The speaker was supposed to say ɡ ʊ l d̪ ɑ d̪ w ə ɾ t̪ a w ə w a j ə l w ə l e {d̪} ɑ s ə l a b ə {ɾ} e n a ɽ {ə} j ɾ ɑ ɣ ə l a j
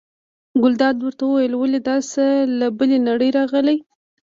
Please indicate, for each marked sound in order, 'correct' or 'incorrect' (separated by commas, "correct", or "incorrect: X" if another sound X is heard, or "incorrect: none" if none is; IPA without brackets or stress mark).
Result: correct, incorrect: l, correct